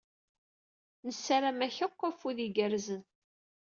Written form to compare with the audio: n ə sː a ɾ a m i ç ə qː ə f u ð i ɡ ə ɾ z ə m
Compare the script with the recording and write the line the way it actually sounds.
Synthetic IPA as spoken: n ə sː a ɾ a m æ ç ə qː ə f u ð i ɡ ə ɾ z ə n